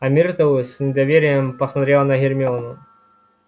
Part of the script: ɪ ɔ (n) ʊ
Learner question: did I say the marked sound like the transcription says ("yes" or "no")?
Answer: yes